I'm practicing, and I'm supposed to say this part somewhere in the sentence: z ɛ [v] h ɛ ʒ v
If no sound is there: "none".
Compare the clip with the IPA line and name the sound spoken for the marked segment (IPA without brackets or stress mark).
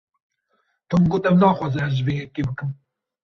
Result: none